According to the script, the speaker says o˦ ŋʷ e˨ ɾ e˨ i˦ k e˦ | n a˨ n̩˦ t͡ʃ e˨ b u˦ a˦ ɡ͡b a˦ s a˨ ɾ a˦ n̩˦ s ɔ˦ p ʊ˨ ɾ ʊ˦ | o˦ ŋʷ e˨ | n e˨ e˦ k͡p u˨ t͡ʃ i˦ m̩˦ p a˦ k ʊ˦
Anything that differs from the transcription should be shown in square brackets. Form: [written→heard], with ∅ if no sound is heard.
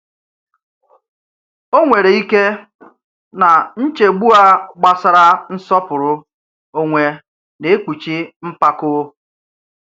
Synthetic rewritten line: o˦ ŋʷ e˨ ɾ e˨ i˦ k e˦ | n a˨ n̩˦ t͡ʃ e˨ [b→ɡ͡b] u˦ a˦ ɡ͡b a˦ s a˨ ɾ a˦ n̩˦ s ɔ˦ p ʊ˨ ɾ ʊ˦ | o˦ ŋʷ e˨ | n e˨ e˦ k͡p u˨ t͡ʃ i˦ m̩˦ p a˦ k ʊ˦